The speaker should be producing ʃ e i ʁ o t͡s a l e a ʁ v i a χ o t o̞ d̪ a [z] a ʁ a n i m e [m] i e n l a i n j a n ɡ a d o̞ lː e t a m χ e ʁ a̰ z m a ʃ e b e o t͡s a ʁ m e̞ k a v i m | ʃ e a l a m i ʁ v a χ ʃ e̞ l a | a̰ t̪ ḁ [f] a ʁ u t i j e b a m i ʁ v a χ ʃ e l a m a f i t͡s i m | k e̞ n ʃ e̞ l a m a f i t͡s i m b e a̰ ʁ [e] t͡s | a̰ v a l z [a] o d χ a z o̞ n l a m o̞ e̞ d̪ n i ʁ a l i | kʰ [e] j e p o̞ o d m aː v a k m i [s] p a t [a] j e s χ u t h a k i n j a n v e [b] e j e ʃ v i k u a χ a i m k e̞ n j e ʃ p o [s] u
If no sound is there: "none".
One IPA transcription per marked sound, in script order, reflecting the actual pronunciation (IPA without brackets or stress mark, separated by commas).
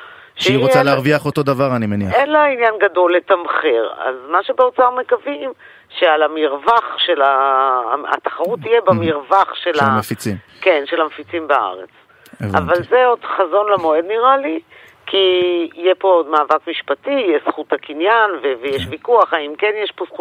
v, n, χ, e, e, i, ʃ, i, v, s